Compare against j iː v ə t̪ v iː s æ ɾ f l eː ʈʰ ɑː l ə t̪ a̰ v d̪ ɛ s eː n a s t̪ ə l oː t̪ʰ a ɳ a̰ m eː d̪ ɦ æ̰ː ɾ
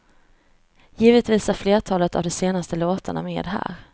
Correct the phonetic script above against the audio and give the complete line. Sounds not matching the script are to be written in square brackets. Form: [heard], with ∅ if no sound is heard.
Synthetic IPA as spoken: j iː v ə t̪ v iː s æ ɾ f l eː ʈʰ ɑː l ə t̪ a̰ v d̪ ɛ s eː n a s t̪ ə l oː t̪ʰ a ɳ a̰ m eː d̪ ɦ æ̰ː ɾ